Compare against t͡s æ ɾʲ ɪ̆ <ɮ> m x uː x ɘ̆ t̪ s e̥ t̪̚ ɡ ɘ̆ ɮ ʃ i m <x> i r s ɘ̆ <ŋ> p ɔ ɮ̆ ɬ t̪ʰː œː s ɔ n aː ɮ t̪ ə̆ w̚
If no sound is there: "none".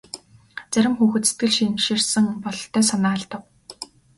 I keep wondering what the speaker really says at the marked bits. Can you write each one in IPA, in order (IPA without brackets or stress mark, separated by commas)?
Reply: none, ʃ, ŋ